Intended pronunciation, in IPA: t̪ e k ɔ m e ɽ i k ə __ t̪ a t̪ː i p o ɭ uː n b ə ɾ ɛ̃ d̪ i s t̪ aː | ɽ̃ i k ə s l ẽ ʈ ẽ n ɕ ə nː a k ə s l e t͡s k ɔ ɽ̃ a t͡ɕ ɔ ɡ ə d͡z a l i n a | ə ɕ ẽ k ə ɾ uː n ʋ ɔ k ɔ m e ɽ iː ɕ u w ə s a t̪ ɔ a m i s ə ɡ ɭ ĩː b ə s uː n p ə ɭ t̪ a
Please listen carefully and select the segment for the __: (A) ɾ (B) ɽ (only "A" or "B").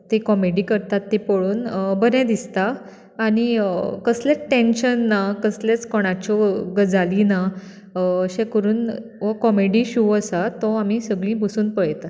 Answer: A